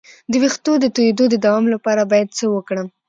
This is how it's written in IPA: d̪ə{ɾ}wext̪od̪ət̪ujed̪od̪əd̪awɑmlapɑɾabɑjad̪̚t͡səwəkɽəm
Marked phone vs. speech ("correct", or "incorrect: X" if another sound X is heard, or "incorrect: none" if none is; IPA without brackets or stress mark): incorrect: none